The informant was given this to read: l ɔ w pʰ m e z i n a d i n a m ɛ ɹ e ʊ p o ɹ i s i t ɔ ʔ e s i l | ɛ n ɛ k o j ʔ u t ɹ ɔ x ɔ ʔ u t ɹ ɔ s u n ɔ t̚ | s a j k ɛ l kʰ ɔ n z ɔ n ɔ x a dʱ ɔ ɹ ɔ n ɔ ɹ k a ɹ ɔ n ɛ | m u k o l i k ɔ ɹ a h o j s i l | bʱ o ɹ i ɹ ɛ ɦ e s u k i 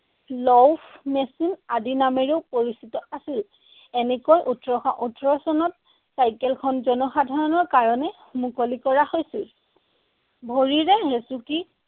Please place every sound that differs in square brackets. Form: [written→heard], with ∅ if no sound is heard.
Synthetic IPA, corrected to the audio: l ɔ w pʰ m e [z→s] i n a d i n a m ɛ ɹ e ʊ p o ɹ i s i t ɔ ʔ [e→a] s i l | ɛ n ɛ k o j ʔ u t ɹ ɔ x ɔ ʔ u t ɹ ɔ s [u→ɔ] n ɔ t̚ | s a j k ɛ l kʰ ɔ n z ɔ n ɔ x a dʱ ɔ ɹ ɔ n ɔ ɹ k a ɹ ɔ n ɛ | m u k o l i k ɔ ɹ a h o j s i l | bʱ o ɹ i ɹ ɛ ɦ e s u k i

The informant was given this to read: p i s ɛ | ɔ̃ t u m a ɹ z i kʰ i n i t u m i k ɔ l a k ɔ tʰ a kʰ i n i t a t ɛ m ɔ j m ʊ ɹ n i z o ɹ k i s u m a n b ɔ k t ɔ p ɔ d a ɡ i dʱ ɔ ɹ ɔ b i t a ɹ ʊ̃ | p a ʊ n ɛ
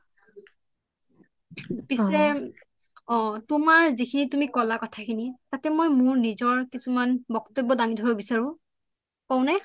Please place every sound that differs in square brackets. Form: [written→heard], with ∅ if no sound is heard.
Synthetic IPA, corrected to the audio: p i s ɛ | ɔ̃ t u m a ɹ z i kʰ i n i t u m i k ɔ l a k ɔ tʰ a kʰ i n i t a t ɛ m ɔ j m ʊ ɹ n i z [o→ɔ] ɹ k i s u m a n b ɔ k t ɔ [p→b] ɔ d a [ɡ→ŋ] i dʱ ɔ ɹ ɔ b i [t→s] a ɹ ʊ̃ | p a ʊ n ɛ

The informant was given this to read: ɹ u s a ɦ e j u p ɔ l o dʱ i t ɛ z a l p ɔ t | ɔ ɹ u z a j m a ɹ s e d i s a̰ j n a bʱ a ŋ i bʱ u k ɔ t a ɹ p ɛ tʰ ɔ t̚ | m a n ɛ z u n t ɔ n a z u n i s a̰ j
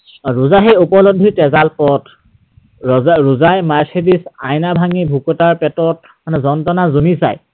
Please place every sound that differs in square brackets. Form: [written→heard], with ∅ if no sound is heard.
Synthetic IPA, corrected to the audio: ɹ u [s→z] a ɦ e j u p ɔ l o dʱ i t ɛ z a l p ɔ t | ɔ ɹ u z a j m a ɹ s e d i s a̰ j n a bʱ a ŋ i bʱ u k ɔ t a ɹ p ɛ [tʰ→t] ɔ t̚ | m a n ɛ z [u→ɔ] n t ɔ n a z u n i s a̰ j

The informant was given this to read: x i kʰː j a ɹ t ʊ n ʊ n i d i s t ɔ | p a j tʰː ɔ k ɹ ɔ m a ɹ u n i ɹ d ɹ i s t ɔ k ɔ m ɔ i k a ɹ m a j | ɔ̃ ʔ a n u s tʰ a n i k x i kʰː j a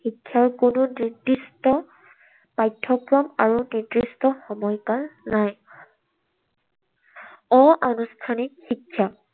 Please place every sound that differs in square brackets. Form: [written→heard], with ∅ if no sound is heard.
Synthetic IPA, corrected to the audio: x i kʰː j a ɹ [t→k] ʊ n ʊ n i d i s t ɔ | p a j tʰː ɔ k ɹ ɔ m a ɹ u n i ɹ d ɹ i s t ɔ [k→x] ɔ m ɔ [i→j] k a ɹ [m→n] a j | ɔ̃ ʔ a n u s tʰ a n i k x i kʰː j a

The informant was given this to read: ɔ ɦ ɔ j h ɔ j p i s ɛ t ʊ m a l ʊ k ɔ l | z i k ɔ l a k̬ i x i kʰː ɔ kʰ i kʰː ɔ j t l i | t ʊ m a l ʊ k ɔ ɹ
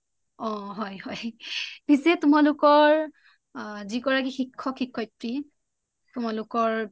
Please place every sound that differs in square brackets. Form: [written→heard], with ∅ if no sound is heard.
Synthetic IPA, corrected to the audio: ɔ ɦ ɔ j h ɔ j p i s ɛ t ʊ m a l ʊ k ɔ [l→ɹ] | z i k ɔ [l→ɹ] a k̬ i x i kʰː ɔ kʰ i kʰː ɔ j t [l→ɹ] i | t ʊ m a l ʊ k ɔ ɹ

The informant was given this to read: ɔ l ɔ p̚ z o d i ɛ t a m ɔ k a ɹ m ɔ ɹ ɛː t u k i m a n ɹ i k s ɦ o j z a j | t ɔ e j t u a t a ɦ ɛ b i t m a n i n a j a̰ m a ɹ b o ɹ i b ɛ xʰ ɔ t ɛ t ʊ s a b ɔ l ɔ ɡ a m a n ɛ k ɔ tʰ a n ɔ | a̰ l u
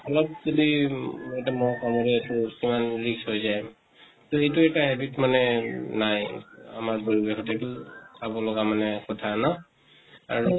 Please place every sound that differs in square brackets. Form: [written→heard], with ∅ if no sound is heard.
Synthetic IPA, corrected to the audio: ɔ l ɔ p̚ z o d i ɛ t a m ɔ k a [ɹ→∅] m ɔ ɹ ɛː t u k i m a n ɹ i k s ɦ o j z a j | t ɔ e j t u [a→ɛ] t a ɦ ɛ b i t m a n [i→ɛ] n a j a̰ m a ɹ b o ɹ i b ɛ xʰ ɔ t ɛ t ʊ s a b ɔ l ɔ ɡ a m a n ɛ k ɔ tʰ a n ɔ | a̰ [l→ɹ] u

